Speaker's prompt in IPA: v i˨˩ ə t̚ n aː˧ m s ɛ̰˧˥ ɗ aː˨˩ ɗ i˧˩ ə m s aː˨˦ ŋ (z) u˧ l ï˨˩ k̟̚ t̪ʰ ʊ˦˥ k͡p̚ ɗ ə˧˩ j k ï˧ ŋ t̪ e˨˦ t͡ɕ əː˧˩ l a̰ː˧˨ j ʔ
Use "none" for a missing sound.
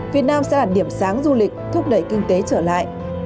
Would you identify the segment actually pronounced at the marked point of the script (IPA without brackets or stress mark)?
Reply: z